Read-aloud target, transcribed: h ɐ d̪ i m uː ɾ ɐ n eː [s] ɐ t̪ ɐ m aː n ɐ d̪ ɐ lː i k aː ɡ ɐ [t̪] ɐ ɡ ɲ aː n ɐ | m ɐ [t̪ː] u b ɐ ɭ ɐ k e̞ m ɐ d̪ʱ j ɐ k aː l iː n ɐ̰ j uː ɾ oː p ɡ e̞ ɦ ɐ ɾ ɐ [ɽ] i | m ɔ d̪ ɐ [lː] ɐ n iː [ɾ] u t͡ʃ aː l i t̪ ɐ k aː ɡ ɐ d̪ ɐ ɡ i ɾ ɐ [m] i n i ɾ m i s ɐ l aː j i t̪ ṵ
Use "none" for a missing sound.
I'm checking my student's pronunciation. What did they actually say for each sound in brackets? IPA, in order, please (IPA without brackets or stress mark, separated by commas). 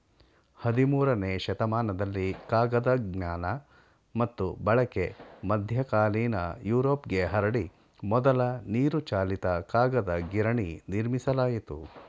ʃ, d̪, t̪ː, ɽ, l, ɾ, ɳ